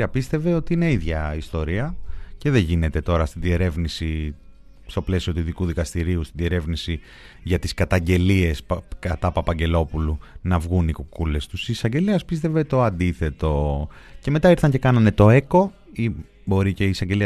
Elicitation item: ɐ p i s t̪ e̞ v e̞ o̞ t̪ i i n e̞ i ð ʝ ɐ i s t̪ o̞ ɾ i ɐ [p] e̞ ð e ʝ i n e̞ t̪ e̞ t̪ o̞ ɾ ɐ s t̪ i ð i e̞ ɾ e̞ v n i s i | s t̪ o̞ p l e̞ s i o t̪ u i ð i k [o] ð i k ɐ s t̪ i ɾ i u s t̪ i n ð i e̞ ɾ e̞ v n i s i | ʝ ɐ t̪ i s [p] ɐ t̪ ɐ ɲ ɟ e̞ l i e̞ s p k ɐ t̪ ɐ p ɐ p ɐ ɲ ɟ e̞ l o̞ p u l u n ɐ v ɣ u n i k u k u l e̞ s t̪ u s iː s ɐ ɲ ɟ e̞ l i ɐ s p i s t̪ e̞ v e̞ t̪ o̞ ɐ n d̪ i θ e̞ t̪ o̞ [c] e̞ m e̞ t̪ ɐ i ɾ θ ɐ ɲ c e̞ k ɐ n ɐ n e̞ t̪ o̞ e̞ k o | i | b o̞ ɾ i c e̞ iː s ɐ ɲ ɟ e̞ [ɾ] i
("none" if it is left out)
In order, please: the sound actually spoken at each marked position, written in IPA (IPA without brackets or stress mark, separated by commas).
c, u, k, c, l